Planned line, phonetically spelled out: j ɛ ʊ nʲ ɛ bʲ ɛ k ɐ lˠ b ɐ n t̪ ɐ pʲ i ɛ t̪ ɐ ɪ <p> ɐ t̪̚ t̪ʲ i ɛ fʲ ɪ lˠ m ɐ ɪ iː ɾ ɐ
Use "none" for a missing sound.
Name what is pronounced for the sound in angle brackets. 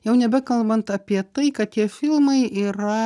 k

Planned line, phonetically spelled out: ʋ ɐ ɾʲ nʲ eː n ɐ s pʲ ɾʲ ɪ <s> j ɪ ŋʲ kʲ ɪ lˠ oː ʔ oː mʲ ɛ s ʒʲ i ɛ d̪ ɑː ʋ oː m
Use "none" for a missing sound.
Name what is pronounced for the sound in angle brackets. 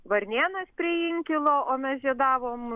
none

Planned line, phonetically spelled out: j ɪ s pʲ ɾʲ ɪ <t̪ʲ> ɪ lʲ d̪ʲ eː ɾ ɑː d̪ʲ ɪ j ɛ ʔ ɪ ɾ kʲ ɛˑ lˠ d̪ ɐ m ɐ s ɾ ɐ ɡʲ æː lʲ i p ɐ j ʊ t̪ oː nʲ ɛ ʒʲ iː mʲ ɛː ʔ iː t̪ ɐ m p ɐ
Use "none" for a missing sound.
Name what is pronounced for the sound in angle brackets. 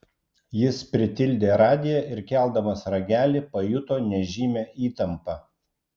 t̪ʲ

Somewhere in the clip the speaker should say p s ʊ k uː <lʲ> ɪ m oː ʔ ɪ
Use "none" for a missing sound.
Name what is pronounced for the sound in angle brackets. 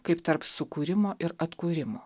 ɾʲ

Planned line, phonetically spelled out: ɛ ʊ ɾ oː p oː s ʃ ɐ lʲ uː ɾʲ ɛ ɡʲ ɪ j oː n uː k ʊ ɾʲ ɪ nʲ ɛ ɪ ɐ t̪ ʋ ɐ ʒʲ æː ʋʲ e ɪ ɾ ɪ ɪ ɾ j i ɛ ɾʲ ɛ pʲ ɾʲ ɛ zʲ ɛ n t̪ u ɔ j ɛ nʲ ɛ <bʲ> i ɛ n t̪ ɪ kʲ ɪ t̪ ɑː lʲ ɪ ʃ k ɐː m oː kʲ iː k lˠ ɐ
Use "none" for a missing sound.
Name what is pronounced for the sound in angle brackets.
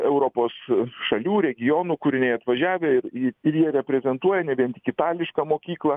bʲ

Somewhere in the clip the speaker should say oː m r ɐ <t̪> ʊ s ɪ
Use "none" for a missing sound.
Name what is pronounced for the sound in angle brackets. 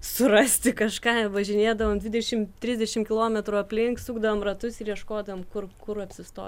t̪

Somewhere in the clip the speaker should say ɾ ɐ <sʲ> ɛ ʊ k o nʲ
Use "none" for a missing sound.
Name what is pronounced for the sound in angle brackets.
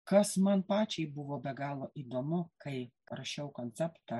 ʃʲ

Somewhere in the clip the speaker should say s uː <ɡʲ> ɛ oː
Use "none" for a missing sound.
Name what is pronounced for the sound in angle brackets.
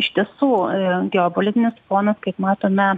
ɡʲ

